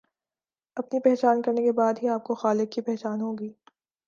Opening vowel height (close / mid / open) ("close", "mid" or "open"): open